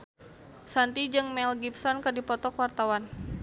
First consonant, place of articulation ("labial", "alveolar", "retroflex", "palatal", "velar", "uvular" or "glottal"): alveolar